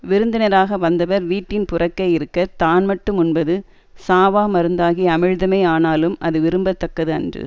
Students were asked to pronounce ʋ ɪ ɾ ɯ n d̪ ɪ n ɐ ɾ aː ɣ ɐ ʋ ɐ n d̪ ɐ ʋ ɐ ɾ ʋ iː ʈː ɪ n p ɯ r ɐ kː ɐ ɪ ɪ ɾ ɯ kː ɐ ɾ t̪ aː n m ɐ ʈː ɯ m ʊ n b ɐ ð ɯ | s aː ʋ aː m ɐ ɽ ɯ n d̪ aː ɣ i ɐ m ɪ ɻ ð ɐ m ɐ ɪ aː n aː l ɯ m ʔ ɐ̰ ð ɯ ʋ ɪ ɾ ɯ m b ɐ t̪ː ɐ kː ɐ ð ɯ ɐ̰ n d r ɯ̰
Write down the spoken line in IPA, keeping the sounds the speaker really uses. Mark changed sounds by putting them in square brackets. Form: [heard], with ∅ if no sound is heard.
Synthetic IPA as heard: ʋ ɪ ɾ ɯ n d̪ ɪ n ɐ ɾ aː ɣ ɐ ʋ ɐ n d̪ ɐ ʋ ɐ ɾ ʋ iː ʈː ɪ n p [ʊ] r ɐ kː ɐ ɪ ɪ ɾ ɯ kː ɐ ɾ t̪ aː n m ɐ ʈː ɯ m ʊ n b ɐ ð ɯ | s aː ʋ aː m ɐ [ɾ] ɯ n d̪ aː ɣ i ɐ m ɪ ɻ ð ɐ m ɐ ɪ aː n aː l ɯ m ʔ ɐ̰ ð ɯ ʋ ɪ ɾ ɯ m b ɐ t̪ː ɐ kː ɐ ð ɯ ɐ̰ n d r ɯ̰